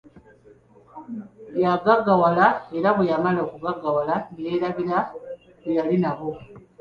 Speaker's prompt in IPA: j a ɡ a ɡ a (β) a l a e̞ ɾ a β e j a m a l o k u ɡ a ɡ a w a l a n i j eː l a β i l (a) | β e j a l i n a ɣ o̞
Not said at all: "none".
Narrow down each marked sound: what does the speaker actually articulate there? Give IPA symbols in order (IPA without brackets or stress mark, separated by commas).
w, a